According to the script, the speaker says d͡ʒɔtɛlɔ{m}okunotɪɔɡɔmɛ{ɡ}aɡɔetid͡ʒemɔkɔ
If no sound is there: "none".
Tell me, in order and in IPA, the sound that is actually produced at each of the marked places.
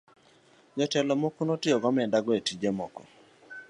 m, d

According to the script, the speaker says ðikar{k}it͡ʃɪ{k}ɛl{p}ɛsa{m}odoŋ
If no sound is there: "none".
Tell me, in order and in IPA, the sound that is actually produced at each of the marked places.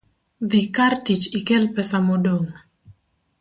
t, k, p, m

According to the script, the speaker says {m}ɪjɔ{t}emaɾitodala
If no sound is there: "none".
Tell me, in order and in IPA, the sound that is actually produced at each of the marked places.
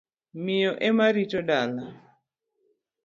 m, ʔ

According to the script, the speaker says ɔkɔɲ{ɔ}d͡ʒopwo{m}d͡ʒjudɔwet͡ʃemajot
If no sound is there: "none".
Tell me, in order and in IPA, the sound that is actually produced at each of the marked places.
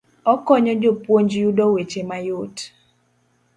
ɔ, ɲ

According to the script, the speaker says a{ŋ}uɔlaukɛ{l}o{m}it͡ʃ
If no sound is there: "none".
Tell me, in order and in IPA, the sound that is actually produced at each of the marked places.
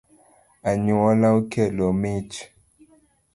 ɲ, l, m

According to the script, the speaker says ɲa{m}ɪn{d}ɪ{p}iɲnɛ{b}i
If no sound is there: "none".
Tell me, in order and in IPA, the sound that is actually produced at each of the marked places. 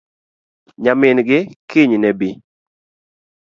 m, ɡ, k, b

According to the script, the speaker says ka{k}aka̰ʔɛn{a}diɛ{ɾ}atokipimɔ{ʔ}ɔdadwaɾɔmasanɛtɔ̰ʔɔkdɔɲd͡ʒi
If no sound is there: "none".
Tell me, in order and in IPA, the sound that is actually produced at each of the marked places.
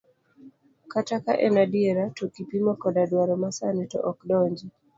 t, a, ɾ, k

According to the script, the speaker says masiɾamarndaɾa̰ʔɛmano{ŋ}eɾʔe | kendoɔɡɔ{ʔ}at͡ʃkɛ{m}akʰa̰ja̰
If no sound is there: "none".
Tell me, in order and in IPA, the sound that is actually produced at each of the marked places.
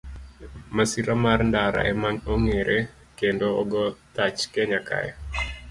ŋ, t, ɲ

